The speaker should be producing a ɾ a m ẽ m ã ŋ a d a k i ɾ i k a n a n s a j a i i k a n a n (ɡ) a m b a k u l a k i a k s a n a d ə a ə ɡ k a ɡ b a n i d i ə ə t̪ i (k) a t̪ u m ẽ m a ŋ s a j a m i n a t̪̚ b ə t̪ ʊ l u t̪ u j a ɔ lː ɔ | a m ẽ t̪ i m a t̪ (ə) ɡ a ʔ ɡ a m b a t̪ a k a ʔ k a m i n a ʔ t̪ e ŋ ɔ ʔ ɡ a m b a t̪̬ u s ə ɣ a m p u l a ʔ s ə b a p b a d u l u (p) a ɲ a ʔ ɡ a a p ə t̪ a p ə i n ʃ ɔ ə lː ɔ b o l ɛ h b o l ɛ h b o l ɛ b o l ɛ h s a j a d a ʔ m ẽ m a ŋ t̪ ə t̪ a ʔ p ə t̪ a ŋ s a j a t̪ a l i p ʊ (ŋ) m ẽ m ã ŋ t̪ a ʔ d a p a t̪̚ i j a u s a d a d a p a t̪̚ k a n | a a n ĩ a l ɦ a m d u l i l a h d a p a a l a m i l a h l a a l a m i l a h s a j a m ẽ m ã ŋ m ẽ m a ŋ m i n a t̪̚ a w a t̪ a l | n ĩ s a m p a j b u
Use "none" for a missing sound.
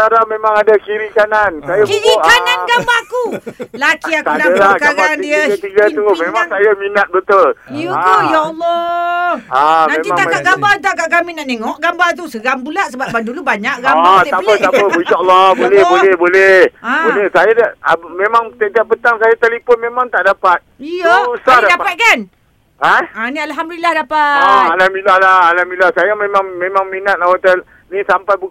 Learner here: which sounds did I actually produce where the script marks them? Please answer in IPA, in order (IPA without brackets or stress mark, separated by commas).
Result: ɡ, ɡ, a, b, n